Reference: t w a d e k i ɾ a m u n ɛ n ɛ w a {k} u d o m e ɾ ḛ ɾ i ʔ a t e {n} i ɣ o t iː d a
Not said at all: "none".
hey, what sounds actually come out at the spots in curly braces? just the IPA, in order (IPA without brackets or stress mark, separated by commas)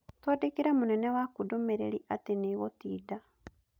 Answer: k, n